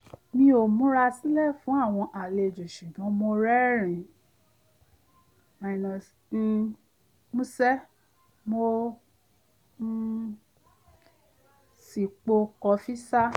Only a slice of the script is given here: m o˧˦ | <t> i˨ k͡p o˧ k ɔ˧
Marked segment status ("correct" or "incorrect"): incorrect